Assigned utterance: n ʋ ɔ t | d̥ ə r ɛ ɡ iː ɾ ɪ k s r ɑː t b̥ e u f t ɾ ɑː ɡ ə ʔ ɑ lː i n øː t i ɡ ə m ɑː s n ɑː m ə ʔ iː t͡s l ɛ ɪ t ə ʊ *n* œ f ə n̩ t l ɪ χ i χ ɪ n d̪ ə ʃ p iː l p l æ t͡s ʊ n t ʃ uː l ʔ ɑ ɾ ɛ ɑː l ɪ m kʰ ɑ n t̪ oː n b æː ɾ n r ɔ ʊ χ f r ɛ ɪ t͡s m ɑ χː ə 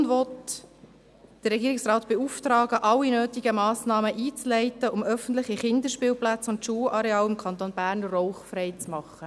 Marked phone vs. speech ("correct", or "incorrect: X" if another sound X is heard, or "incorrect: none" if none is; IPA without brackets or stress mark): incorrect: m